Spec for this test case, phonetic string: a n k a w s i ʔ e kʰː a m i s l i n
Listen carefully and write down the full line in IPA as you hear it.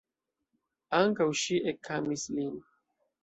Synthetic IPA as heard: a ŋ k a w ʃ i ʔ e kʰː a m i s l i n